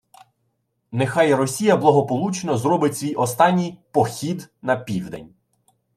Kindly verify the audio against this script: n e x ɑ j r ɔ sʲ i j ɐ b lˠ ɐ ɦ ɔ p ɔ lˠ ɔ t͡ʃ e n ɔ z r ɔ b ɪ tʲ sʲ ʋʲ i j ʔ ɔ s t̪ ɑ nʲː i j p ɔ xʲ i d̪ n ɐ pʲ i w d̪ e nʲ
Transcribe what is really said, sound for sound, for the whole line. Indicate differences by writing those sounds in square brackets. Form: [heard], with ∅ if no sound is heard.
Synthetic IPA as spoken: n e x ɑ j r ɔ sʲ i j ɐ b lˠ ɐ ɦ ɔ p ɔ lˠ [u] t͡ʃ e n ɔ z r ɔ b ɪ tʲ sʲ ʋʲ i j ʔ ɔ s t̪ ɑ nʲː i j p ɔ xʲ i d̪ n ɐ pʲ i w d̪ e nʲ

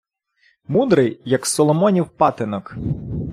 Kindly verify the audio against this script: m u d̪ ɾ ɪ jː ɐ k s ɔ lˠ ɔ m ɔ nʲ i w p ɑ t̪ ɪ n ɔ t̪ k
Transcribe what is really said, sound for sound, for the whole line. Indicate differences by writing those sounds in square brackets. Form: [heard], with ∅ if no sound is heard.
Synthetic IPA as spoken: m u d̪ ɾ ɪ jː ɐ k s ɔ lˠ ɔ m ɔ nʲ i w p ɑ t̪ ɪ n ɔ [∅] k

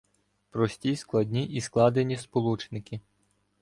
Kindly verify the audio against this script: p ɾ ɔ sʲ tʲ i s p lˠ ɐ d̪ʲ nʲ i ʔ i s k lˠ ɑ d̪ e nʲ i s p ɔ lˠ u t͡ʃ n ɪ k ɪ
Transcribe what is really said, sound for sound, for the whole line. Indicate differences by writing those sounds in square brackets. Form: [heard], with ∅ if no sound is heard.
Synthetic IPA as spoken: p ɾ ɔ sʲ tʲ i s [k] lˠ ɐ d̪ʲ nʲ i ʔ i s k lˠ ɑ d̪ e nʲ i s p ɔ lˠ u t͡ʃ n ɪ k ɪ

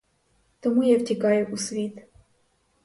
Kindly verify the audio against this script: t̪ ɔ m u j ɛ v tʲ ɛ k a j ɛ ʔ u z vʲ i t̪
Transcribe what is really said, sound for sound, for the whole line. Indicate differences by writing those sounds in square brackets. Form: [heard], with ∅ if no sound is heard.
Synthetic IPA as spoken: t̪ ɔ m u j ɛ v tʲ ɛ k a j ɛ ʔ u [s] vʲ i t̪

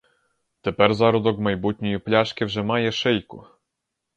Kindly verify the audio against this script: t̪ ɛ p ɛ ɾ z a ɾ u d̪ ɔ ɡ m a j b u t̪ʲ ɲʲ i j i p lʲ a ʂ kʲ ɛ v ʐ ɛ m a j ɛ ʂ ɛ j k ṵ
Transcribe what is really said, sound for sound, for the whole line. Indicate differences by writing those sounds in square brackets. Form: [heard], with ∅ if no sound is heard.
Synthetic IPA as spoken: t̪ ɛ p ɛ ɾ z a ɾ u d̪ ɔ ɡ m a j b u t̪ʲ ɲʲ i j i p lʲ a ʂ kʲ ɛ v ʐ ɛ m a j ɛ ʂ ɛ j k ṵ

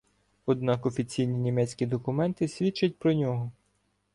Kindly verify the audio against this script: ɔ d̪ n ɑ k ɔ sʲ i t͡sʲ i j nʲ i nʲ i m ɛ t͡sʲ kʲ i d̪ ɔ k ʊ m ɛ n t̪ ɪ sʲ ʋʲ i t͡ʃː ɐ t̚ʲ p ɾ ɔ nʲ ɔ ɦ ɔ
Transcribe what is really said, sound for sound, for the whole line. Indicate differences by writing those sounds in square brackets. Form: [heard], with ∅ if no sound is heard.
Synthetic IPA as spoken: ɔ d̪ n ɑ k ɔ [fʲ] i t͡sʲ i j nʲ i nʲ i m ɛ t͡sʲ kʲ i d̪ ɔ k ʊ m ɛ n t̪ ɪ sʲ ʋʲ i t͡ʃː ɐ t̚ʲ p ɾ ɔ nʲ ɔ ɦ ɔ

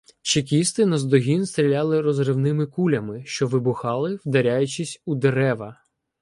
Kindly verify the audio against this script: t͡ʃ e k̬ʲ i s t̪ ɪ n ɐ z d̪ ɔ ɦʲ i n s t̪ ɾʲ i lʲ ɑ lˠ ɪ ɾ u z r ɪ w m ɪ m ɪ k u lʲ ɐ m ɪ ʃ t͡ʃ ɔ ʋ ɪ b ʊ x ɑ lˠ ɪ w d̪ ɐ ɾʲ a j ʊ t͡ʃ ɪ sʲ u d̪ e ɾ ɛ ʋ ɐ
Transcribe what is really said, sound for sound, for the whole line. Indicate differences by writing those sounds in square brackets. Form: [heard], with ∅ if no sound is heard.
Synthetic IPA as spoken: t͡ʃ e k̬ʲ i s t̪ ɪ n ɐ z d̪ ɔ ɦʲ i n s t̪ ɾʲ i lʲ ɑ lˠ ɪ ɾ [ɔ] z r ɪ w [n] ɪ m ɪ k u lʲ ɐ m ɪ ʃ t͡ʃ ɔ ʋ ɪ b ʊ x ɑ lˠ ɪ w d̪ ɐ ɾʲ a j ʊ t͡ʃ ɪ sʲ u d̪ e ɾ ɛ ʋ ɐ

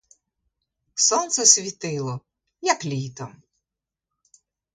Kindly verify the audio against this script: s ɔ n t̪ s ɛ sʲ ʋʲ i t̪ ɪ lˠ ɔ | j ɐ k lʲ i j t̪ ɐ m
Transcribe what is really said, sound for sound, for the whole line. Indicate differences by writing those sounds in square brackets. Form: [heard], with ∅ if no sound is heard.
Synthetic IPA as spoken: s ɔ n t̪ s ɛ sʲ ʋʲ i t̪ ɪ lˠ ɔ | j ɐ k lʲ i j t̪ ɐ m

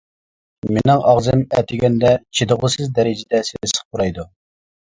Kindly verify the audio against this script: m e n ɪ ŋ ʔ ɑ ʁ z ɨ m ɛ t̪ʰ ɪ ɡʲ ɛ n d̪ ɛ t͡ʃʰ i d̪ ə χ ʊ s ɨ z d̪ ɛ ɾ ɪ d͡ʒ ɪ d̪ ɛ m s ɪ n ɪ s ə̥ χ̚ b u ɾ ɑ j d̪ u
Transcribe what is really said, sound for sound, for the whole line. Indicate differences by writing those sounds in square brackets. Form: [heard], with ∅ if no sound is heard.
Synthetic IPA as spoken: m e n ɪ ŋ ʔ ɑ ʁ z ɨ m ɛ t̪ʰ ɪ ɡʲ ɛ n d̪ ɛ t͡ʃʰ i d̪ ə [ʁ] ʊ s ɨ z d̪ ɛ ɾ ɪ d͡ʒ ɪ d̪ ɛ [∅] s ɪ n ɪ s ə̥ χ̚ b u ɾ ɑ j d̪ u

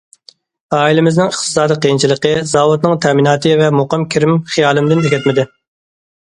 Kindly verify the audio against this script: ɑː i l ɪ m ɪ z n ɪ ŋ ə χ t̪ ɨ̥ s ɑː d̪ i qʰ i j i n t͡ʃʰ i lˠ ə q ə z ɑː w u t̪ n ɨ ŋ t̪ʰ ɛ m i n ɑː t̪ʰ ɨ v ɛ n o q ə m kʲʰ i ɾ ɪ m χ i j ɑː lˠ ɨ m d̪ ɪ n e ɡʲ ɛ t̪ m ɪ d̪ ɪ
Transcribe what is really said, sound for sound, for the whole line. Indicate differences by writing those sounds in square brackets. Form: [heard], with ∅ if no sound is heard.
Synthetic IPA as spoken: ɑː i l ɪ m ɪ z n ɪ ŋ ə χ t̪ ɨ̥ s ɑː d̪ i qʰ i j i n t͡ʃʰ i lˠ ə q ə z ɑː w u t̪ n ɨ ŋ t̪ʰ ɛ m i n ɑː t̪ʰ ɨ v ɛ [m] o q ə m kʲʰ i ɾ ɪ m χ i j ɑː lˠ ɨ m d̪ ɪ n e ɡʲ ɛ t̪ m ɪ d̪ ɪ

